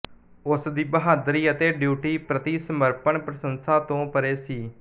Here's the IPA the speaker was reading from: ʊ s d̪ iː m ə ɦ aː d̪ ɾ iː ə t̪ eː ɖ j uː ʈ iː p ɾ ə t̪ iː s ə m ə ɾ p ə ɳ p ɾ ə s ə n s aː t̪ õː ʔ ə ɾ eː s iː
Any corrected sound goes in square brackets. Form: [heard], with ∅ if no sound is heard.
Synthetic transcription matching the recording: ʊ s d̪ iː [b] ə ɦ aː d̪ ɾ iː ə t̪ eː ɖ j uː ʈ iː p ɾ ə t̪ iː s ə m ə ɾ p ə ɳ p ɾ ə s ə n s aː t̪ õː [p] ə ɾ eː s iː